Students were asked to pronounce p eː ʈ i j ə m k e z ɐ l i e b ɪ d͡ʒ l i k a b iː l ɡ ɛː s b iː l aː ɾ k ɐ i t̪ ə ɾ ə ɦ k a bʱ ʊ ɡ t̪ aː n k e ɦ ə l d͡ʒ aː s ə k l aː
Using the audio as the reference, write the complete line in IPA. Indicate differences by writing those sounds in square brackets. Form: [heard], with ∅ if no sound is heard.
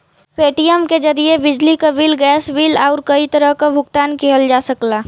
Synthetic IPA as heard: p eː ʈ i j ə m k e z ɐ [ɾ] i e b ɪ d͡ʒ l i k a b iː l ɡ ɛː s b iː l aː ɾ k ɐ i t̪ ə ɾ ə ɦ k a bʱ ʊ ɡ t̪ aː n k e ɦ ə l d͡ʒ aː s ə k l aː